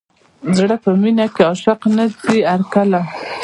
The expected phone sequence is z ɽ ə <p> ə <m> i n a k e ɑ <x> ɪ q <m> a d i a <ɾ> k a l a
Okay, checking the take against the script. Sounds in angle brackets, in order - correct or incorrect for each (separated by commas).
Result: correct, correct, incorrect, incorrect, correct